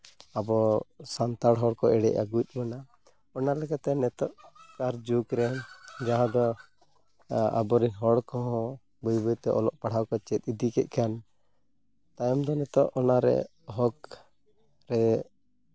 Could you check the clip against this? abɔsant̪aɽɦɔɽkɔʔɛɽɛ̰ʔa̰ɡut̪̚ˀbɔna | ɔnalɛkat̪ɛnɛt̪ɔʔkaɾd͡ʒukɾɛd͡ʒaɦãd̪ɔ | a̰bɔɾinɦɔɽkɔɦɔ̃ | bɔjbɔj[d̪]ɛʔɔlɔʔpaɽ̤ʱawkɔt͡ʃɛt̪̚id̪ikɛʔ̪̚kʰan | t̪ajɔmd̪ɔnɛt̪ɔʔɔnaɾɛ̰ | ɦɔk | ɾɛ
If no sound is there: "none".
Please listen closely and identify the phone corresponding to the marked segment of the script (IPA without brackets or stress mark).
t̪